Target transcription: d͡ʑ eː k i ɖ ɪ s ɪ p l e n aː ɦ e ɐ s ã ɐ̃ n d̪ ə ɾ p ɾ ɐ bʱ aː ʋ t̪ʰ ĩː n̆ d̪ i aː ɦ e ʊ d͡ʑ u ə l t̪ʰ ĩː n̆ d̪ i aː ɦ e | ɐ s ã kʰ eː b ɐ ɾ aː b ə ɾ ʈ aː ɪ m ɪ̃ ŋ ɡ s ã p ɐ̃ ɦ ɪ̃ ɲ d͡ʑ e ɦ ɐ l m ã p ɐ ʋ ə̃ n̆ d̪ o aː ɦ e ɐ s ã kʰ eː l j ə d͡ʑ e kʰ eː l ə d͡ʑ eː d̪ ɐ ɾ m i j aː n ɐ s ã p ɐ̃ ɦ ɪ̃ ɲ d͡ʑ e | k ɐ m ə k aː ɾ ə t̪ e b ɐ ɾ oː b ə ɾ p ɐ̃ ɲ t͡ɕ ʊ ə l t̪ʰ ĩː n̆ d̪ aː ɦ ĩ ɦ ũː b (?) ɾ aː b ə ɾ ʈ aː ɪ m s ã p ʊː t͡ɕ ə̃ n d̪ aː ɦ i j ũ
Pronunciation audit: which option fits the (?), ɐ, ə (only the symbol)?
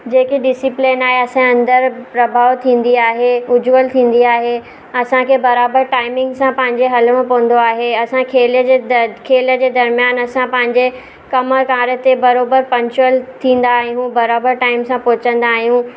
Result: ɐ